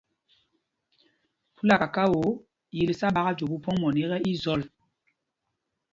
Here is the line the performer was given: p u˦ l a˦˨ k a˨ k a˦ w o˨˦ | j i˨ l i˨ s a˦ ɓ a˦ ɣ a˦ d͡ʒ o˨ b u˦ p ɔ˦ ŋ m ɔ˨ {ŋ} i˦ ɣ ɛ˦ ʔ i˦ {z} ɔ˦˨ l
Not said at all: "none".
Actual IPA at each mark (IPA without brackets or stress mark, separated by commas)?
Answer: n, z